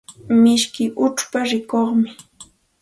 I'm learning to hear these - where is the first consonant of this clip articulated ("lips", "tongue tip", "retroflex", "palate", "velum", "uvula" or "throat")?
lips